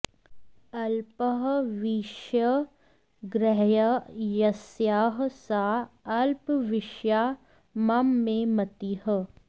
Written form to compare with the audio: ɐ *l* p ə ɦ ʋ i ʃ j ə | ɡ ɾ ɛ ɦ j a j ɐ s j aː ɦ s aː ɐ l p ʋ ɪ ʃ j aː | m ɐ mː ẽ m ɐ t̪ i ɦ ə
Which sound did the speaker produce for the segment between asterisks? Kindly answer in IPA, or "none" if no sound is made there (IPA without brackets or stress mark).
l